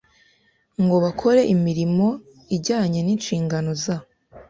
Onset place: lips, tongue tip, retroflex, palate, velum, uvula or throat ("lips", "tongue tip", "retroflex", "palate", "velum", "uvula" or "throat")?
velum